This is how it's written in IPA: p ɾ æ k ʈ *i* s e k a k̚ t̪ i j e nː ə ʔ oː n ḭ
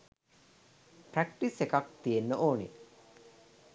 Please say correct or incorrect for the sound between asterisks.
correct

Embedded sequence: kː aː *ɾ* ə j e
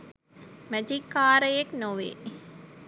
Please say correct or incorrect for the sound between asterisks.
correct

